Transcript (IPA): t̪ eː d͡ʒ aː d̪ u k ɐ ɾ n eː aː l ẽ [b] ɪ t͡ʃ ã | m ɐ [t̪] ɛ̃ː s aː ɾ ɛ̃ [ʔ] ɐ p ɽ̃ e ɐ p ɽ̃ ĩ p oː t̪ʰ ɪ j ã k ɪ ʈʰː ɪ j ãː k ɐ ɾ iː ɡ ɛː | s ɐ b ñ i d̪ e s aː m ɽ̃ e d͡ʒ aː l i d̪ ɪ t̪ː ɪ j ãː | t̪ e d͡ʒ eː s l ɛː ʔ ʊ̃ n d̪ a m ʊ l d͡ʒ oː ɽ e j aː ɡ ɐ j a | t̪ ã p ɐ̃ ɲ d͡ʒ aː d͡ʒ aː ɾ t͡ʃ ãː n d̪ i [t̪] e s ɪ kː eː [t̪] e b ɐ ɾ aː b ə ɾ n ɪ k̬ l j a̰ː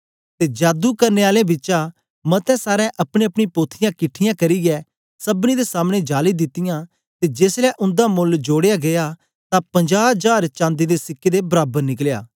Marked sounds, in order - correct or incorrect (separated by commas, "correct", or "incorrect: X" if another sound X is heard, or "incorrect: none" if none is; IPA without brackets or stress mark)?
correct, correct, correct, incorrect: d̪, incorrect: d̪